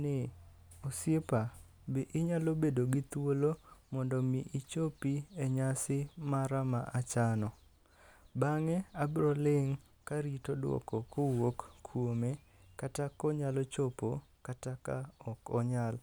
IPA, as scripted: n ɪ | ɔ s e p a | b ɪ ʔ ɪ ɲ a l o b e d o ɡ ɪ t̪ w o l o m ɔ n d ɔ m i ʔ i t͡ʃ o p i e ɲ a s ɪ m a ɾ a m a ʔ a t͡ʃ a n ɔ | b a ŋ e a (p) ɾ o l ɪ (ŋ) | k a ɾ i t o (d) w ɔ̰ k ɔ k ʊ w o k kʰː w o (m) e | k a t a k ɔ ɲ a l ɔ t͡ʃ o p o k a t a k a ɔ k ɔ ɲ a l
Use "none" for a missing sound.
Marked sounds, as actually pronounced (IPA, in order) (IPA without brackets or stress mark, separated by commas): b, ŋ, d, m